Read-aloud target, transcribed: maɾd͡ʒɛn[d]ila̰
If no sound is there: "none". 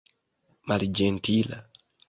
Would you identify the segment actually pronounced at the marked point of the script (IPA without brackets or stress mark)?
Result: t